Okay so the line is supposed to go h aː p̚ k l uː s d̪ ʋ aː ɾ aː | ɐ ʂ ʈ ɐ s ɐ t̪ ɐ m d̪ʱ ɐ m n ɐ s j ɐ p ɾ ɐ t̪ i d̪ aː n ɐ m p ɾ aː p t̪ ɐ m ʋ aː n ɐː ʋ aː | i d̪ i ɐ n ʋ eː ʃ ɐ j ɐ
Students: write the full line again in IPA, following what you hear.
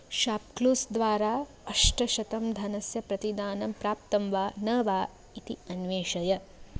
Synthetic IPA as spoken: ʃ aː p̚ k l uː s d̪ ʋ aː ɾ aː | ɐ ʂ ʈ ɐ ʃ ɐ t̪ ɐ m d̪ʱ ɐ n ɐ s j ɐ p ɾ ɐ t̪ i d̪ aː n ɐ m p ɾ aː p t̪ ɐ m ʋ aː n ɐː ʋ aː | i t̪ i ɐ n ʋ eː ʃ ɐ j ɐ